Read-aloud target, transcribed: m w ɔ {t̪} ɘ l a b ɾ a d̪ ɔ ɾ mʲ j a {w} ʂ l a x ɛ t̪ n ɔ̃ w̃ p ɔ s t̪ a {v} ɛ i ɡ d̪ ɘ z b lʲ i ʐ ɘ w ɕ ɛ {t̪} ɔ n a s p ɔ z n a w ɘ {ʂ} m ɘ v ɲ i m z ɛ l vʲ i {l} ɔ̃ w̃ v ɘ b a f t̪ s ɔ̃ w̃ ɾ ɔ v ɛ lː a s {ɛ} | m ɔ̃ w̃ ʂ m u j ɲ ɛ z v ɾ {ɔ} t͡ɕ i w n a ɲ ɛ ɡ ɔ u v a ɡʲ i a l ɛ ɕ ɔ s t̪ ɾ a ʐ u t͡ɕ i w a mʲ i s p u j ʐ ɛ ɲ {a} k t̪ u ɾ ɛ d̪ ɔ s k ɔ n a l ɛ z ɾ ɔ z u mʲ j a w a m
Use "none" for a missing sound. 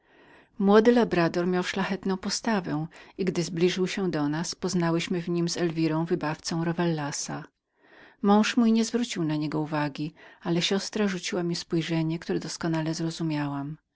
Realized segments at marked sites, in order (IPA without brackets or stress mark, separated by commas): d̪, w, v, d̪, ɕ, ɾ, a, u, ɛ